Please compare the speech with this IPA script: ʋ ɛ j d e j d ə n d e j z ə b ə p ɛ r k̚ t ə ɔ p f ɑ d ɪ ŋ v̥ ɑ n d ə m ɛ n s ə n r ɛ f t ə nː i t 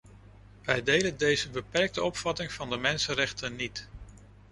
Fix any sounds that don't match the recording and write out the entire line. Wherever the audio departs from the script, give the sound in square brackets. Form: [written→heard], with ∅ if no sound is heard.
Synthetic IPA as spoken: ʋ ɛ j d e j d ə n d e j z ə b ə p ɛ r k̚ t ə ɔ p f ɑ [d→t] ɪ ŋ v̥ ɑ n d ə m ɛ n s ə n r ɛ [f→χ] t ə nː i t